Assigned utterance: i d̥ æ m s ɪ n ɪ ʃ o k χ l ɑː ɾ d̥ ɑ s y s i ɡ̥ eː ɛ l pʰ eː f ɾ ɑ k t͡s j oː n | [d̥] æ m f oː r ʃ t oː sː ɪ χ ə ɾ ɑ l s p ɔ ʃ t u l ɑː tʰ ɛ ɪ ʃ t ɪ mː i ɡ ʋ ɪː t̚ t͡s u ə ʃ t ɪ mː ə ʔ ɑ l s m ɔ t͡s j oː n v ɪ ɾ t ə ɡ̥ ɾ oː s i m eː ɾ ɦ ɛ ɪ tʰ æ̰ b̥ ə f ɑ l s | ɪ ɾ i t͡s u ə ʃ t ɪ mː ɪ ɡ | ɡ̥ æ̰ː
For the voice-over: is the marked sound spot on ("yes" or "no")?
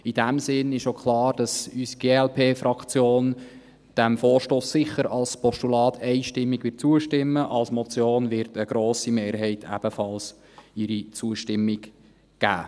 yes